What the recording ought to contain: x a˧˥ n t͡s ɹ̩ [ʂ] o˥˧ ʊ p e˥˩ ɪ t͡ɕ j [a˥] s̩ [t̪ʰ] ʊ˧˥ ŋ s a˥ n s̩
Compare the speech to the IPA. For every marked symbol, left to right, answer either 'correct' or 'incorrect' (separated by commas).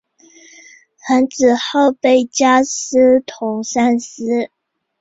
incorrect, correct, correct